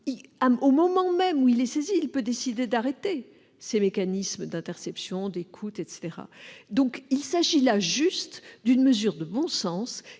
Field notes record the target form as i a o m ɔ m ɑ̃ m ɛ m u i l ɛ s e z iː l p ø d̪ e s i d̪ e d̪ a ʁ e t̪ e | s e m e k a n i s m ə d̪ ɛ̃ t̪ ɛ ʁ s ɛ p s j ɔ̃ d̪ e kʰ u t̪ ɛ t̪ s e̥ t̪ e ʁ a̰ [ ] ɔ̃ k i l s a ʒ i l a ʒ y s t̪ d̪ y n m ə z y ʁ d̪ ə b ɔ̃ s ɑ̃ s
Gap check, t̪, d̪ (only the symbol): d̪